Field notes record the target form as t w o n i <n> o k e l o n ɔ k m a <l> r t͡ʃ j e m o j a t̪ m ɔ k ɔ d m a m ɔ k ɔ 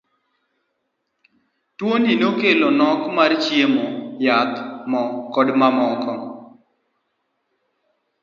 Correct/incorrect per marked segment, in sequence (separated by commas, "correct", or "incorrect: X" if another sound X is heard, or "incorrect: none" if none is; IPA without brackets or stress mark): correct, incorrect: none